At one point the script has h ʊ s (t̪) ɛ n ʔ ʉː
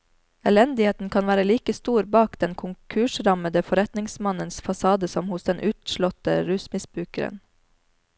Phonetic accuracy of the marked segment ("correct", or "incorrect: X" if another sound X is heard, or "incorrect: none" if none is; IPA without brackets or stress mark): incorrect: d̪